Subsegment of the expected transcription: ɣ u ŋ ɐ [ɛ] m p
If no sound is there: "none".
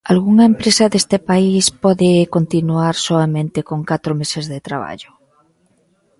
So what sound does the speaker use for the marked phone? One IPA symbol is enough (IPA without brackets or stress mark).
e